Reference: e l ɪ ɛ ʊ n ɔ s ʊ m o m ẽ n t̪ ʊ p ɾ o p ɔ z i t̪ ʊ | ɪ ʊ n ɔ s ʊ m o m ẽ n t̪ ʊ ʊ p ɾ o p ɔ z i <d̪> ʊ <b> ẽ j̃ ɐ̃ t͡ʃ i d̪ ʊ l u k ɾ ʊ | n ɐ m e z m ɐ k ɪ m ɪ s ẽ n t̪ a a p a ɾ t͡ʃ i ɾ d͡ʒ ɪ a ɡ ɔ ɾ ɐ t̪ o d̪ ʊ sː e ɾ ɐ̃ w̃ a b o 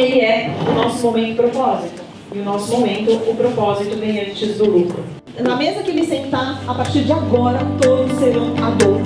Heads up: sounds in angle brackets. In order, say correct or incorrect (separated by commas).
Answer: incorrect, incorrect